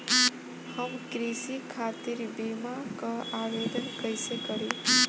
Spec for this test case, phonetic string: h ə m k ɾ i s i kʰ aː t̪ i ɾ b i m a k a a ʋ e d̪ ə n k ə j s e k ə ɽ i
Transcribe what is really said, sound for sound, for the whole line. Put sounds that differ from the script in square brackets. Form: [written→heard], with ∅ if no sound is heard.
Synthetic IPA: h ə m k ɾ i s i kʰ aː t̪ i ɾ b i m a k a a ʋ e d̪ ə n k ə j s e k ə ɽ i